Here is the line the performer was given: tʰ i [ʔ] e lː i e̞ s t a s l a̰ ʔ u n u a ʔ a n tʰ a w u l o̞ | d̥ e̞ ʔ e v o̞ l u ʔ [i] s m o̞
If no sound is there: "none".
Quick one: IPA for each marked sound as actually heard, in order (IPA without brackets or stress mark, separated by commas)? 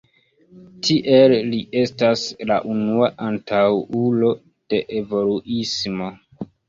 ʔ, i